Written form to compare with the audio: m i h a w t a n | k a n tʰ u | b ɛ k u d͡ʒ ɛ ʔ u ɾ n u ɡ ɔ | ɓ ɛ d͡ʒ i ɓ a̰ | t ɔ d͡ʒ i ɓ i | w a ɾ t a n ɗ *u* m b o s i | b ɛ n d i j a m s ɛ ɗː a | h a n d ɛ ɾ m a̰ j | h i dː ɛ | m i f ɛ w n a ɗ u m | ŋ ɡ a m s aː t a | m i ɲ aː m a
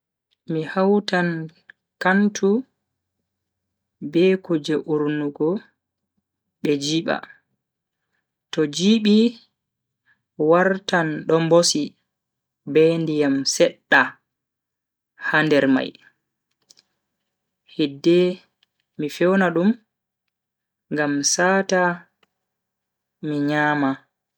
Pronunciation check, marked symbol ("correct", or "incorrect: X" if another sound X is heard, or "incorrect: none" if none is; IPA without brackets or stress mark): incorrect: ɔ